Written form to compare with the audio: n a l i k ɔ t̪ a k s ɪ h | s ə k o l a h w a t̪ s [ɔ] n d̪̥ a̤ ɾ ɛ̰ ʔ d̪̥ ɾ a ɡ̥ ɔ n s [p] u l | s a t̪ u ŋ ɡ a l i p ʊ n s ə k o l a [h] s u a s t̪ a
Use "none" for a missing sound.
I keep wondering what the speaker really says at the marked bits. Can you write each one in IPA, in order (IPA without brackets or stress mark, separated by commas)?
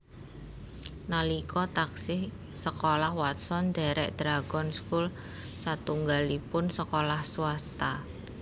ɔ, k, h